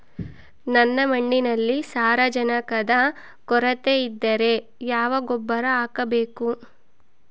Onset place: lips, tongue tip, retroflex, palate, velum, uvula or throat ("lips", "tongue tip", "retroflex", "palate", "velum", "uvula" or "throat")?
tongue tip